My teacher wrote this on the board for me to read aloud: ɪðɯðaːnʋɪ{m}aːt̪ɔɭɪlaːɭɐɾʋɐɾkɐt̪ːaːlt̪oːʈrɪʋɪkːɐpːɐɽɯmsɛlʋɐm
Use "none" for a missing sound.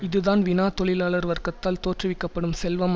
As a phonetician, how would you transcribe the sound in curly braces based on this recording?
n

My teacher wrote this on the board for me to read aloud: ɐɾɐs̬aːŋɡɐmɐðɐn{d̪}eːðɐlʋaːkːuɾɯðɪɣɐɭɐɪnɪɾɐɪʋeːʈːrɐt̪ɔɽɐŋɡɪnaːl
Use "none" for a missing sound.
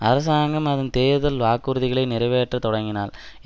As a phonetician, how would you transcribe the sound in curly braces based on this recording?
t̪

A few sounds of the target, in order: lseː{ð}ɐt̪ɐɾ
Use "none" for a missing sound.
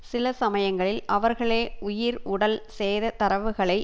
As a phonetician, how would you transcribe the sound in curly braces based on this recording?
ð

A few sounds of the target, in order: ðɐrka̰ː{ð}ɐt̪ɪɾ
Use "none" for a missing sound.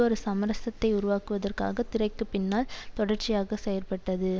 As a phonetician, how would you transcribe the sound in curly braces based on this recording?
ɣ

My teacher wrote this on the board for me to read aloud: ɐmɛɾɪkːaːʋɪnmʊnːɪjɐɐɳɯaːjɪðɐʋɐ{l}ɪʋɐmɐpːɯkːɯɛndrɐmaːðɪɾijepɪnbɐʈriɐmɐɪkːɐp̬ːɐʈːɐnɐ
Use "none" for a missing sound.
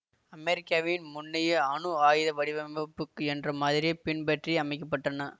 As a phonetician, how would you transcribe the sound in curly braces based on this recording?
ɽ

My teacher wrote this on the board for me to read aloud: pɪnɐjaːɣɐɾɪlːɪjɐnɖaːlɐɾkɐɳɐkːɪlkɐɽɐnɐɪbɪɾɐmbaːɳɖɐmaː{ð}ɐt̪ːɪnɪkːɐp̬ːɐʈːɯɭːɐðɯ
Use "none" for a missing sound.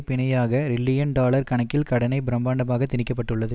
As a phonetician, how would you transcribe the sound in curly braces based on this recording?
ɣ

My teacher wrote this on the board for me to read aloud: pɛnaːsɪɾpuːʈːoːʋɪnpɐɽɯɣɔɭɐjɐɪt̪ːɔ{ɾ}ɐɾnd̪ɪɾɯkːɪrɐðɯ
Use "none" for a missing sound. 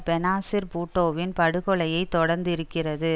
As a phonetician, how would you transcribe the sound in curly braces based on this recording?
ɽ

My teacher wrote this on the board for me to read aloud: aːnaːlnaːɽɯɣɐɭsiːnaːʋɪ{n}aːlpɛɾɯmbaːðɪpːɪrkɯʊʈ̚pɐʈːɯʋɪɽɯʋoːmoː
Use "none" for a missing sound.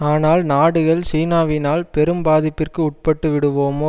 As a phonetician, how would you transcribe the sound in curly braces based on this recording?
n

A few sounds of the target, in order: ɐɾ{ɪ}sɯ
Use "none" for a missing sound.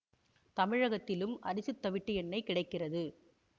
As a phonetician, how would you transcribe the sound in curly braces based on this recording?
ɪ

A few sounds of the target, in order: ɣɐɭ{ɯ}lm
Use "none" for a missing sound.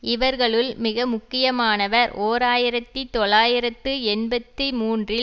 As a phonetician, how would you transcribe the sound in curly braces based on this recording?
ɯ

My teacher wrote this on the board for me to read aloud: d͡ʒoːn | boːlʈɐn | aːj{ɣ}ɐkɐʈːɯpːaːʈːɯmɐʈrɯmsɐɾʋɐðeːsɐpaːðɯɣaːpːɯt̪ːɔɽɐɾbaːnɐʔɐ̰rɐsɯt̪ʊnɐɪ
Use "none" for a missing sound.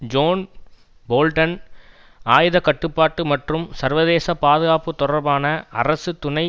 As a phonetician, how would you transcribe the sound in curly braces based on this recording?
ð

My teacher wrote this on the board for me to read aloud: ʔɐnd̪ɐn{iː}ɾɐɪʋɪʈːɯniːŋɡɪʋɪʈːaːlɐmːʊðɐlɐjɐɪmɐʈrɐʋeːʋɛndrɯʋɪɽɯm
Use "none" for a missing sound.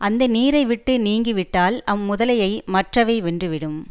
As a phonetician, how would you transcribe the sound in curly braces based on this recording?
iː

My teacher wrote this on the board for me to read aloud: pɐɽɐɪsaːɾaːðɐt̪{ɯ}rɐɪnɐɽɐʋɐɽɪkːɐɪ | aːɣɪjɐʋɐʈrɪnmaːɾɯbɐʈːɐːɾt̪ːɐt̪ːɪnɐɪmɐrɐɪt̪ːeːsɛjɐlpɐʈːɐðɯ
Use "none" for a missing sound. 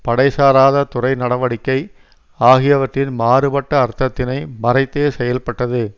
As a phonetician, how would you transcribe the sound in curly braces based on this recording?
ʊ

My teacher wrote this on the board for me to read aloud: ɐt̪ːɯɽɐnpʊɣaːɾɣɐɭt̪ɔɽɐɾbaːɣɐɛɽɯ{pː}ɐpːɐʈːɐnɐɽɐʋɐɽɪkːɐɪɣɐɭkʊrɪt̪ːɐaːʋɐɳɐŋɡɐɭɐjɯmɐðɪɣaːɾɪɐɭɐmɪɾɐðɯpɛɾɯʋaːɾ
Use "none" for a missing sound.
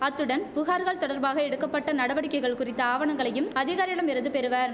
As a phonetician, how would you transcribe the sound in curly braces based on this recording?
kː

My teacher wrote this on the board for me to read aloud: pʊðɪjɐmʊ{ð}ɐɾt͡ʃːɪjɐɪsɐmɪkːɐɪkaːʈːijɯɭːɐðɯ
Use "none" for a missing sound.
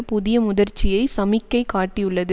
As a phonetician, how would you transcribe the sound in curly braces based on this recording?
ð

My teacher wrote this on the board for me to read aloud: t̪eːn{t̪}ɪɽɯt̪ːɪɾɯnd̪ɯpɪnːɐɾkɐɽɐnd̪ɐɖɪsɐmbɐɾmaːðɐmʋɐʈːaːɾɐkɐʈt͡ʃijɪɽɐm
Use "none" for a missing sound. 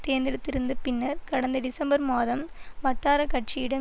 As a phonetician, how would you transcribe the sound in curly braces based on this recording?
d̪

